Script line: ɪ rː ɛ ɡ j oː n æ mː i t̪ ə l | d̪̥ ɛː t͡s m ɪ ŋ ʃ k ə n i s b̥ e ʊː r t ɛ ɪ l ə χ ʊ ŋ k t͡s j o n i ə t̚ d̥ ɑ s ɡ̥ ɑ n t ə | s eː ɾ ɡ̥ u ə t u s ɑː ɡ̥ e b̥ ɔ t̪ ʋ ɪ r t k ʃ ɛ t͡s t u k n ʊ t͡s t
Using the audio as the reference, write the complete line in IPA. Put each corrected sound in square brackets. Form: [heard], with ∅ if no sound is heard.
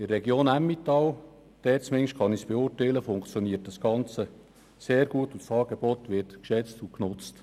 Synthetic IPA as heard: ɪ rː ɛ ɡ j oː n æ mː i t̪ [ɑ] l | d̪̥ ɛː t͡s m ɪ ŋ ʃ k [ɑ] n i s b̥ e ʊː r t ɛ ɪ l ə [f] ʊ ŋ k t͡s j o n i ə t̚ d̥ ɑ s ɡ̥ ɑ n [t͡s] ə | s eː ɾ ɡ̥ u ə t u s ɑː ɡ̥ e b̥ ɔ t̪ ʋ ɪ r t k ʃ ɛ t͡s t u k n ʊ t͡s t